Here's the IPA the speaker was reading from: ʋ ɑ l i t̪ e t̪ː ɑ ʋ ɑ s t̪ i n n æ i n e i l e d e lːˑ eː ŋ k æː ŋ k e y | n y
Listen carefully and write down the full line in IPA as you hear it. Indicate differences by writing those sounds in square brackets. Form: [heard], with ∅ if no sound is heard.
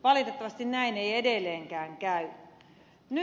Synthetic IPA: ʋ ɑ l i t̪ e t̪ː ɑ ʋ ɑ s t̪ i n n æ i n e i [∅] e d e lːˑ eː ŋ k æː ŋ k [æ] y | n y

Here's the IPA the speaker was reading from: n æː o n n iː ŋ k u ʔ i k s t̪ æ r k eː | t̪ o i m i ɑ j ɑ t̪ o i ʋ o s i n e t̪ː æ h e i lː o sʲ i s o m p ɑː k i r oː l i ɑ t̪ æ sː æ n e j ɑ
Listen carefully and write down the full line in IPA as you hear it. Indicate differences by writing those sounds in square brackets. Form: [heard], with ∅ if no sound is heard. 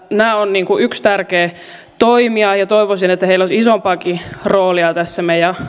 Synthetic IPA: n æː o n n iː ŋ k u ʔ [y] k s t̪ æ r k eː | t̪ o i m i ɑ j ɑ t̪ o i ʋ o s i n e t̪ː æ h e i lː o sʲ i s o m p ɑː k i r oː l i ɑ t̪ æ sː æ [m] e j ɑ

